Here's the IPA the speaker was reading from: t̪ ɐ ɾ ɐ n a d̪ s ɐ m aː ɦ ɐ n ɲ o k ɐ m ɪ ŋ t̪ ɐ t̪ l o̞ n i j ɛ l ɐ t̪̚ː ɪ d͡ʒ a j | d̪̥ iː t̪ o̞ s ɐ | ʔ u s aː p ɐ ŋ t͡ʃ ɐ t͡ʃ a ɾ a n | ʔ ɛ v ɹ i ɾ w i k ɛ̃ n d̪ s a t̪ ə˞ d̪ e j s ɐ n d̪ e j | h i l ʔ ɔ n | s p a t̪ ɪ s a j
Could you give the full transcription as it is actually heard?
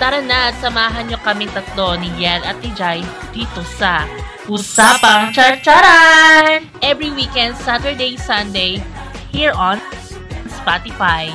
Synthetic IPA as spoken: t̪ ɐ ɾ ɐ n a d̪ s ɐ m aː ɦ ɐ n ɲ o k ɐ m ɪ ŋ t̪ ɐ t̪ l o̞ n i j ɛ l ɐ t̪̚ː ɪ d͡ʒ a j | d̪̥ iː t̪ o̞ s ɐ | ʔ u s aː p ɐ ŋ t͡ʃ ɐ t͡ʃ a ɾ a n | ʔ ɛ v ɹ i w i k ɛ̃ n d̪ s a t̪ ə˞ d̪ e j s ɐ n d̪ e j | h i ɹ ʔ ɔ n | s p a t̪ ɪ f a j